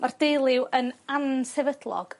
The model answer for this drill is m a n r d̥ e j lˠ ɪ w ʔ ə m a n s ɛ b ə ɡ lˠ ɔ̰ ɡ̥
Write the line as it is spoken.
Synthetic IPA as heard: m a r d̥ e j lˠ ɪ w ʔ ə n a n s ɛ v ə d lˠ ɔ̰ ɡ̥